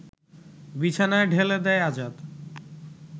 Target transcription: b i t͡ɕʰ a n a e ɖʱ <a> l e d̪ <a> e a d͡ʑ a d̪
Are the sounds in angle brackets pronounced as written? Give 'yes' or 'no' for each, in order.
no, no

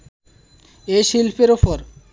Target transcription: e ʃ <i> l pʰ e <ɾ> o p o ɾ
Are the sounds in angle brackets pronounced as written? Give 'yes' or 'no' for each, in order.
yes, yes

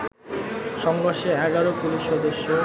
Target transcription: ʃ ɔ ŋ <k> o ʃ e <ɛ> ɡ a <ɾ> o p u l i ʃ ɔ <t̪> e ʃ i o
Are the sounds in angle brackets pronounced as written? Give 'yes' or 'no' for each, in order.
no, yes, yes, no

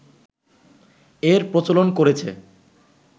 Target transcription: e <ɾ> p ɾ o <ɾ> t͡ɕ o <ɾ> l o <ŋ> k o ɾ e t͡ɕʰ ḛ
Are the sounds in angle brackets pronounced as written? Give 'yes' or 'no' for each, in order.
yes, no, no, no

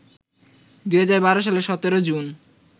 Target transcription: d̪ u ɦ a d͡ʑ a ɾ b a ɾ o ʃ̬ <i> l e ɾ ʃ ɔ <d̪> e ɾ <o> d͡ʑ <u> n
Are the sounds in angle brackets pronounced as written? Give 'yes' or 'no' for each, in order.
no, no, yes, yes

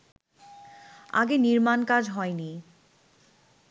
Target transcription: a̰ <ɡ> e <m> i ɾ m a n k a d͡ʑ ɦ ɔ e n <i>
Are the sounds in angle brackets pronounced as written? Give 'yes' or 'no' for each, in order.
yes, no, yes

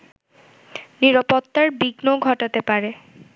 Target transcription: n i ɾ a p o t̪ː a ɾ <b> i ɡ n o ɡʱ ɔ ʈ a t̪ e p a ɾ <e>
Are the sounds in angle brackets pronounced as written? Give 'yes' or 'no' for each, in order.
yes, yes

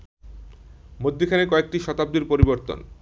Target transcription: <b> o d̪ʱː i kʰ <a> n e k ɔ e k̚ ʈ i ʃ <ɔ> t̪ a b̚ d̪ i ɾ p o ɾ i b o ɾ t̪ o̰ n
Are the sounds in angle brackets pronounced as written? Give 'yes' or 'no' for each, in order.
no, yes, yes

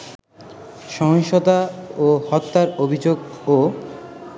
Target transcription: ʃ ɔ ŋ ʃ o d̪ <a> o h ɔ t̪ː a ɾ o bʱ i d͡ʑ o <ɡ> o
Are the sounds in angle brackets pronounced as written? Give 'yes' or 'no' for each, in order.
yes, yes

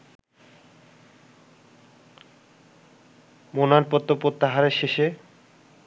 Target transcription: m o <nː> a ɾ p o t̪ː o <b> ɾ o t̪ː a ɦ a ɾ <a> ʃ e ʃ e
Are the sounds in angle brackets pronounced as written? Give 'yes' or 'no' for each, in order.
no, no, no

